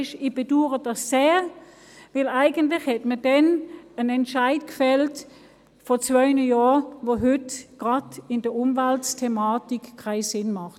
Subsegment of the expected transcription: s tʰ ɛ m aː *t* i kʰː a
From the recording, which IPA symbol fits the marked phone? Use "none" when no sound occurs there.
t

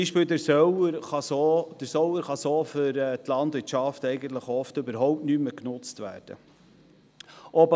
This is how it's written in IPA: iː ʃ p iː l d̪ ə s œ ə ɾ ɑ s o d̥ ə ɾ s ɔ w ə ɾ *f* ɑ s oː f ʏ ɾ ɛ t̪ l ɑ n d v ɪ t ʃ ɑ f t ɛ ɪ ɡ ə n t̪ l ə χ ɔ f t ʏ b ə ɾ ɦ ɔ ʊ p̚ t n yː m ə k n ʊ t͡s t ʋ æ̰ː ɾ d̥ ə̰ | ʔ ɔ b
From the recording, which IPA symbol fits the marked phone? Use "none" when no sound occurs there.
χ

